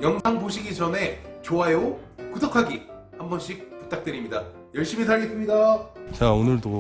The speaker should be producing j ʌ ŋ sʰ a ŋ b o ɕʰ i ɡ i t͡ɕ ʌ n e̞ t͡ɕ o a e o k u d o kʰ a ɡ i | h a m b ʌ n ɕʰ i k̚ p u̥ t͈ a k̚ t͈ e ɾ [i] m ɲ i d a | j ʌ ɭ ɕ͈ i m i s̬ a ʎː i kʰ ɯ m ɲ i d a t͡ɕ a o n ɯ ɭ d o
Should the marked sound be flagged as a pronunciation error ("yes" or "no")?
no